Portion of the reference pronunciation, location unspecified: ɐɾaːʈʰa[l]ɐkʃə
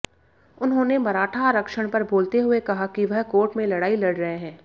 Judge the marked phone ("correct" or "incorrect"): incorrect